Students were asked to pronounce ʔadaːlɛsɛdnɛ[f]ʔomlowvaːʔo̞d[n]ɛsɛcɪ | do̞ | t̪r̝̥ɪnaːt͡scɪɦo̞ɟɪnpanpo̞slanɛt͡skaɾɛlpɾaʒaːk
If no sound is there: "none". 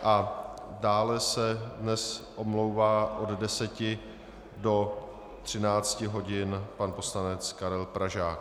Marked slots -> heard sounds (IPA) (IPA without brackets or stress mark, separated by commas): s, d